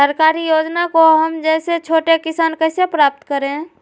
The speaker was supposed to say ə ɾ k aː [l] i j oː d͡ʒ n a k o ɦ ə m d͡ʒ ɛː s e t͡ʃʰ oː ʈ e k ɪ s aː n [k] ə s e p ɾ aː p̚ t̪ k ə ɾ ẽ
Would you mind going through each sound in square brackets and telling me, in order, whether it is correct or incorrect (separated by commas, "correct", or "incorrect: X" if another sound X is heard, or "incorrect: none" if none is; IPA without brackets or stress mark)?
incorrect: ɾ, correct